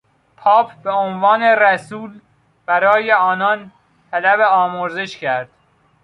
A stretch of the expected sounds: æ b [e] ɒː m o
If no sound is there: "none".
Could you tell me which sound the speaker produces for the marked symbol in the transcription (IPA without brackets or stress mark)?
e